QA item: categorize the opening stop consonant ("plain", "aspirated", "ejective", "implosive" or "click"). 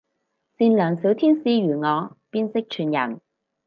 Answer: aspirated